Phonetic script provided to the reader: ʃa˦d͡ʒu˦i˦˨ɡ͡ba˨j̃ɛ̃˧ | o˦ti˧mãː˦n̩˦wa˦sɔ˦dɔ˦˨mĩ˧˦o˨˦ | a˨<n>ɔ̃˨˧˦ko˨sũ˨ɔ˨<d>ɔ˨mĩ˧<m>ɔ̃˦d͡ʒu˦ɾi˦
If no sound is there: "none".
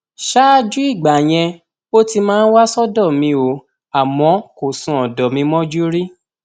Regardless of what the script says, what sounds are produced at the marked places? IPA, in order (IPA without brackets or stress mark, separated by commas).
m, d, m